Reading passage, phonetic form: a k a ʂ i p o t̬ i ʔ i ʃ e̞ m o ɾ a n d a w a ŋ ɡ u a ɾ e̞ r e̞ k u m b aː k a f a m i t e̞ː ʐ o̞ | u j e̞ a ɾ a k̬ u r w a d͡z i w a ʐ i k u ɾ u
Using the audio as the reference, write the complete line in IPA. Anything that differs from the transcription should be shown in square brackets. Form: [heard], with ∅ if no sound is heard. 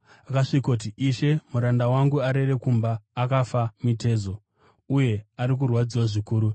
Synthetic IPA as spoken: a k a ʂ i [k] o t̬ i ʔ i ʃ e̞ m [u] ɾ a n d a w a ŋ ɡ u a ɾ e̞ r e̞ k u m b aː k a f a m i t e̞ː [z] o̞ | u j e̞ a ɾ [i] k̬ u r w a d͡z i w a ʐ i k [uː] ɾ u